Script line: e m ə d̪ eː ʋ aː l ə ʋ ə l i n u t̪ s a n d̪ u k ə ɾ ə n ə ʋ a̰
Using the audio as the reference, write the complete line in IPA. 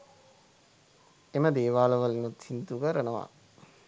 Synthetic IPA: e m ə d̪ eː ʋ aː l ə ʋ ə l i n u t̪ s i n t̪ u k ə ɾ ə n ə ʋ a̰